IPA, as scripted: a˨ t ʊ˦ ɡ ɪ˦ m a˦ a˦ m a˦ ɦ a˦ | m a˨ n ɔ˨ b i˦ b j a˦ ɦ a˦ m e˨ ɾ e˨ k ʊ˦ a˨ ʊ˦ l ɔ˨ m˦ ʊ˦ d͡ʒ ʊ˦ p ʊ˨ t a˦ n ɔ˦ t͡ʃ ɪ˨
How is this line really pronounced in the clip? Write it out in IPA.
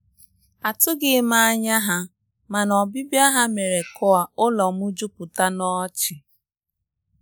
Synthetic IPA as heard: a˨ t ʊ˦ ɡ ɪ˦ m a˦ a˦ ɲ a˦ ɦ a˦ | m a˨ n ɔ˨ b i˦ b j a˦ ɦ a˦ m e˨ ɾ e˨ k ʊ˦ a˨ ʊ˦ l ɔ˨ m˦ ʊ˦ d͡ʒ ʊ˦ p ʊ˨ t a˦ n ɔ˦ t͡ʃ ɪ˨